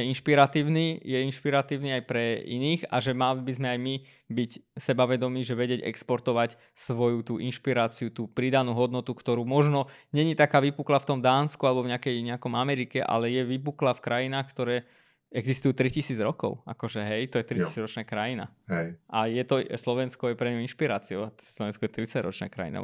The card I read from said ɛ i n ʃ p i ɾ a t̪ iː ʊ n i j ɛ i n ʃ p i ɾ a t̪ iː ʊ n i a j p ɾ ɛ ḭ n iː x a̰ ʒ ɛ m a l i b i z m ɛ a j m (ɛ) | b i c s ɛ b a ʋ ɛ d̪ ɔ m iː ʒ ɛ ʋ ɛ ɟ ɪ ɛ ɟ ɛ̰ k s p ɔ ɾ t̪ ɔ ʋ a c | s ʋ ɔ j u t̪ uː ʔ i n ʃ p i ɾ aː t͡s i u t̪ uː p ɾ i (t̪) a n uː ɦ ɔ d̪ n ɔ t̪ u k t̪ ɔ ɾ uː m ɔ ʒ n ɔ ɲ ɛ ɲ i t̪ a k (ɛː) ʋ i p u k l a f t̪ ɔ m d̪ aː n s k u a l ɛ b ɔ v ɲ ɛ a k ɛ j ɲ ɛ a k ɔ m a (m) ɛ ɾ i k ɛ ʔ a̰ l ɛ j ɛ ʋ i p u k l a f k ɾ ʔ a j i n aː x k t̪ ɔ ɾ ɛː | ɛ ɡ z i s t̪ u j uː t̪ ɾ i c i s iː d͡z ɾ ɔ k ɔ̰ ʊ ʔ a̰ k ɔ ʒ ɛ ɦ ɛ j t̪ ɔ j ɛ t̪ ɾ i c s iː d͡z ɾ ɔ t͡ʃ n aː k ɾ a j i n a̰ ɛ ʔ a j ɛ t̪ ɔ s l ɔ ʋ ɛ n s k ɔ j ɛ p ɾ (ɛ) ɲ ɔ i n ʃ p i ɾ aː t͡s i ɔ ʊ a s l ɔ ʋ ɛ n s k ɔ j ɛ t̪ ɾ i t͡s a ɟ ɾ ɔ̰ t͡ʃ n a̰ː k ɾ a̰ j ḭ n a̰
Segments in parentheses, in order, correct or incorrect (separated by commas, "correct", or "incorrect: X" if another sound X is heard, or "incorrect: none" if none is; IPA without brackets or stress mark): incorrect: i, incorrect: d̪, incorrect: aː, correct, correct